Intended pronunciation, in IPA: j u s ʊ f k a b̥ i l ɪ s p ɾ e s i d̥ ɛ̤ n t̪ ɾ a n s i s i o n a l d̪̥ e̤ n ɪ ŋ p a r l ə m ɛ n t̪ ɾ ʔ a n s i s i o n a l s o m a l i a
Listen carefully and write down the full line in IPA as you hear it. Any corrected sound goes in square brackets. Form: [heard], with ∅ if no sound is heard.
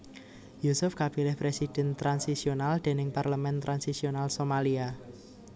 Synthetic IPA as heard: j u s ʊ f k a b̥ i l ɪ [h] p ɾ e s i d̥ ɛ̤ n t̪ ɾ a n s i s i o n a l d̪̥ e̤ n ɪ ŋ p a r l ə m ɛ n t̪ ɾ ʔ a n s i s i o n a l s o m a l i a